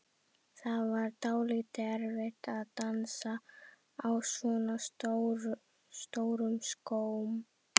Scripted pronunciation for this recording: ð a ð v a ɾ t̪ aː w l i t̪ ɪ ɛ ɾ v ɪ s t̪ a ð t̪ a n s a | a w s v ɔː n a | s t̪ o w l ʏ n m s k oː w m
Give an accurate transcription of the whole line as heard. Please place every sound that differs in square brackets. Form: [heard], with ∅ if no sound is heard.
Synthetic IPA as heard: [θ] a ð v a ɾ t̪ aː w l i t̪ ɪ ɛ ɾ v ɪ [h] t̪ a ð t̪ a n s a | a w s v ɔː n a | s t̪ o w [ɾ] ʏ [∅] m s k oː w m

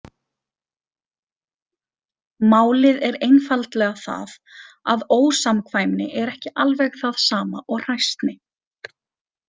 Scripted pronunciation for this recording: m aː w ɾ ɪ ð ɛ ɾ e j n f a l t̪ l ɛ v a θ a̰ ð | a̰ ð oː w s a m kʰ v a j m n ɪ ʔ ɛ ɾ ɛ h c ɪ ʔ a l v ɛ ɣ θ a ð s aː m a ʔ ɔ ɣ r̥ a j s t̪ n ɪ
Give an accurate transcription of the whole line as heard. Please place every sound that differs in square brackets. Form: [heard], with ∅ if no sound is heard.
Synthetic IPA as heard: m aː w [l] ɪ ð ɛ ɾ e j n f a l t̪ l ɛ [ɣ] a θ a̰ ð | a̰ ð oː w s a m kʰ v a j m n ɪ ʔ ɛ ɾ ɛ h c ɪ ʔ a l v ɛ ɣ θ a ð s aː m a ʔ ɔ ɣ r̥ a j s t̪ n ɪ

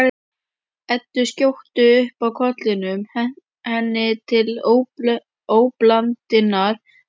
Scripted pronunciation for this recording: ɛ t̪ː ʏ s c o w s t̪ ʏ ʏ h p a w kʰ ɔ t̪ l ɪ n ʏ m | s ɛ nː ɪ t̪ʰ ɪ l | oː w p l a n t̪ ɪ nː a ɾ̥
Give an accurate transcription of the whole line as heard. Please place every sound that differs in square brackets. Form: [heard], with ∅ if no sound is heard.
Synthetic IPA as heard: ɛ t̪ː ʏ s c o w [h] t̪ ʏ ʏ h p a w kʰ ɔ t̪ l ɪ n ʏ m | [h] ɛ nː ɪ t̪ʰ ɪ l | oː w p l a n t̪ ɪ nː a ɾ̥

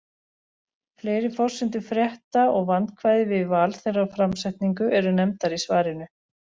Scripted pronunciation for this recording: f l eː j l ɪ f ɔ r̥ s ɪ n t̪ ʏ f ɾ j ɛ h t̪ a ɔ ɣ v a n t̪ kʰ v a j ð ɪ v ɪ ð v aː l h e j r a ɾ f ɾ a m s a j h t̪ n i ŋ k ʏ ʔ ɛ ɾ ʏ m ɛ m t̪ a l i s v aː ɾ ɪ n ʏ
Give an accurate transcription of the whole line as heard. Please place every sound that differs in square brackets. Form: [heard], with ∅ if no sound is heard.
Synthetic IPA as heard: f l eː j [ɾ] ɪ f ɔ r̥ s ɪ n t̪ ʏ f ɾ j ɛ h t̪ a ɔ ɣ v a n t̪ kʰ v a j ð ɪ v ɪ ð v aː l [θ] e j r a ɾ f ɾ a m s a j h t̪ n i ŋ k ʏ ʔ ɛ ɾ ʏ [n] ɛ m t̪ a [ɾ] i s v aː ɾ ɪ n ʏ

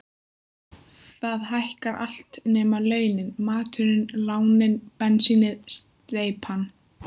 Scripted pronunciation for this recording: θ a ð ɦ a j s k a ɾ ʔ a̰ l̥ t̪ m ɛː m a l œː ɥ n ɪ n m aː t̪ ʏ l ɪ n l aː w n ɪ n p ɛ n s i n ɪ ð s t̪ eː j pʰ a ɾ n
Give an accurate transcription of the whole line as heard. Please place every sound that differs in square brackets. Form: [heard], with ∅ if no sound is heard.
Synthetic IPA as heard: θ a ð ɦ a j [h] k a ɾ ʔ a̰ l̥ t̪ [n] ɛː m a l œː ɥ n ɪ n m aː t̪ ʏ [ɾ] ɪ n l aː w n ɪ n p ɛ n s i n ɪ ð s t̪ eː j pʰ a [∅] n

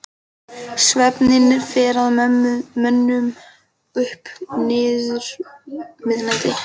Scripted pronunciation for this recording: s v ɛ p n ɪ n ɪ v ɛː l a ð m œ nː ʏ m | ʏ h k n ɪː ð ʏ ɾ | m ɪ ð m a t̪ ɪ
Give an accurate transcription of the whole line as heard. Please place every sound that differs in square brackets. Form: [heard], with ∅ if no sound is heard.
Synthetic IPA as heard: s v ɛ p n ɪ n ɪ [f] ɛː [ɾ] a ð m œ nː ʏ m | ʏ h [p] n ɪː ð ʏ ɾ | m ɪ ð [n] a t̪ ɪ

